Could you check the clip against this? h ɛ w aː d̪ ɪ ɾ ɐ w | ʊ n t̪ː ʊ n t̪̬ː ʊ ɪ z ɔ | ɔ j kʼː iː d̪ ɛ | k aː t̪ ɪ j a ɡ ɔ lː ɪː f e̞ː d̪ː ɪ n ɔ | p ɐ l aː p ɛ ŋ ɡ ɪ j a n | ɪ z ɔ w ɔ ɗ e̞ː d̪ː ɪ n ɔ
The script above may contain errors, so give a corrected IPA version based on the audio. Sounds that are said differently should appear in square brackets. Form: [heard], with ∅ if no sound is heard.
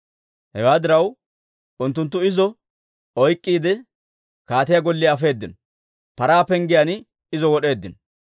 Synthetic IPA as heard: h ɛ w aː d̪ ɪ ɾ ɐ w | ʊ n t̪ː ʊ n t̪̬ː ʊ ɪ z ɔ | ɔ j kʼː iː d̪ ɛ | k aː t̪ ɪ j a ɡ ɔ lː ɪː f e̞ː d̪ː ɪ n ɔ | p ɐ [ɾ] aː p ɛ ŋ ɡ ɪ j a n | ɪ z ɔ w ɔ ɗ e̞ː d̪ː ɪ n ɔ